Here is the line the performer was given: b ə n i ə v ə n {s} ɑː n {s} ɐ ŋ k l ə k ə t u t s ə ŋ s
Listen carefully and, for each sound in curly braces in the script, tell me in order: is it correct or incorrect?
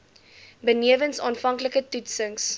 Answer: correct, incorrect

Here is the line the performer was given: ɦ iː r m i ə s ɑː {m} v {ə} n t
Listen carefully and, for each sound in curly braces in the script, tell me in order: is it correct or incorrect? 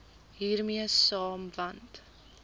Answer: correct, incorrect

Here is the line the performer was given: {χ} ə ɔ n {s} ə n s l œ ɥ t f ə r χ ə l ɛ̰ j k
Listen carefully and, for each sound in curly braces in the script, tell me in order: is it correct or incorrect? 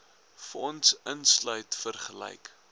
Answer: incorrect, correct

